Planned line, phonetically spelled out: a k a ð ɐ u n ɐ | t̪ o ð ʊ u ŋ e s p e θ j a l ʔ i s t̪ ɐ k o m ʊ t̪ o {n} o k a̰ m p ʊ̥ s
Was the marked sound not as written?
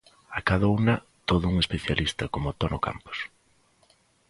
no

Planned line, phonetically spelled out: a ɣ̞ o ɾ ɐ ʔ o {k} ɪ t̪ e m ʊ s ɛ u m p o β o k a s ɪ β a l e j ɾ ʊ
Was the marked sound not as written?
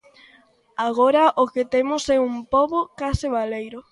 no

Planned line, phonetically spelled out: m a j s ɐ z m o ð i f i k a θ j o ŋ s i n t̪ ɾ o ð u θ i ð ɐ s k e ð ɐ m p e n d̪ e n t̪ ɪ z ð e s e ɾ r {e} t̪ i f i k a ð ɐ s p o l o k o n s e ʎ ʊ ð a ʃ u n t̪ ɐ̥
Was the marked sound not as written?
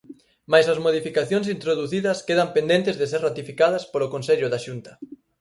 yes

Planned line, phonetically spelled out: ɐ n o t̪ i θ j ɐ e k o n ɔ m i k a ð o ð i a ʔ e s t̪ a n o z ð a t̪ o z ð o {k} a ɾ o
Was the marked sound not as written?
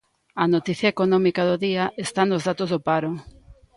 yes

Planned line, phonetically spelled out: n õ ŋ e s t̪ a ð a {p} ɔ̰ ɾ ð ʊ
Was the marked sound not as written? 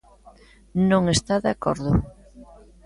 yes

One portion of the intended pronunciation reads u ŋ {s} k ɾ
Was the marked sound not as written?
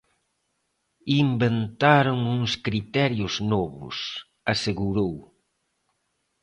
no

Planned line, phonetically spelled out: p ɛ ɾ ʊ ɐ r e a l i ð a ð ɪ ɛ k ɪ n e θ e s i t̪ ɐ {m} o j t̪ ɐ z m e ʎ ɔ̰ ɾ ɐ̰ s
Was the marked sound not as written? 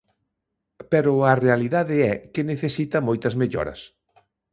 no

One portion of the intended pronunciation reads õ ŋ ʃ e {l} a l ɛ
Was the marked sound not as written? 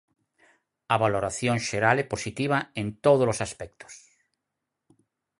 yes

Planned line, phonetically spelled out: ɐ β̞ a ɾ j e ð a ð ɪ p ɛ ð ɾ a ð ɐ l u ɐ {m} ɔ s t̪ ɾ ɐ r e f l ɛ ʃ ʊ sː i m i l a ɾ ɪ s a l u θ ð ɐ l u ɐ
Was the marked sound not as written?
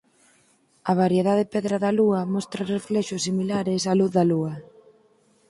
no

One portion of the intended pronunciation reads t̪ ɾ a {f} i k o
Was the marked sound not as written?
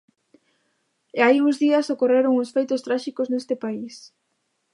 yes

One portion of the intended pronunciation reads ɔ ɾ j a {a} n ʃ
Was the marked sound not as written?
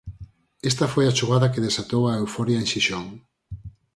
yes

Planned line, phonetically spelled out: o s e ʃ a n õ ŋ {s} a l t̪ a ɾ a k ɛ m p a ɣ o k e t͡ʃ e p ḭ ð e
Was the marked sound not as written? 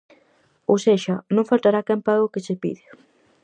yes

